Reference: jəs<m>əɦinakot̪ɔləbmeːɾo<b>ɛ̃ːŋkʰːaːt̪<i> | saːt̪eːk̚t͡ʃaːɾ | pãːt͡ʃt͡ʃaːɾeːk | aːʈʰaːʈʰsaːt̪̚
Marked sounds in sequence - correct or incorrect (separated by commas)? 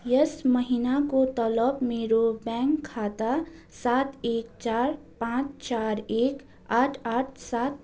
correct, correct, incorrect